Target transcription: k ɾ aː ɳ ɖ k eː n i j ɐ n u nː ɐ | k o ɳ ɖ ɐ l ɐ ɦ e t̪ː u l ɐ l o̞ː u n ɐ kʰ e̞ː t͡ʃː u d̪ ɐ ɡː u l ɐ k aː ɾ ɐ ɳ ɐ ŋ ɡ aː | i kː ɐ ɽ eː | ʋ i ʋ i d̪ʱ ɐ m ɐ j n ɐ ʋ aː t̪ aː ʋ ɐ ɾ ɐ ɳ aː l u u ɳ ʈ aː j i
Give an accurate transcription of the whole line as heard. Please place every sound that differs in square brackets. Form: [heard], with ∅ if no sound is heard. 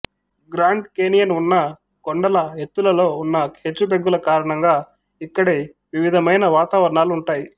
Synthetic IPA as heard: [ɡ] ɾ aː ɳ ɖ k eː n i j ɐ n u nː ɐ | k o ɳ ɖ ɐ l ɐ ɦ e t̪ː u l ɐ l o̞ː u [nː] ɐ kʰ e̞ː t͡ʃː u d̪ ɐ ɡː u l ɐ k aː ɾ ɐ ɳ ɐ ŋ ɡ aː | i kː ɐ ɽ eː | ʋ i ʋ i d̪ʱ ɐ m ɐ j n ɐ ʋ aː t̪ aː ʋ ɐ ɾ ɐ ɳ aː l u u ɳ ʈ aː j i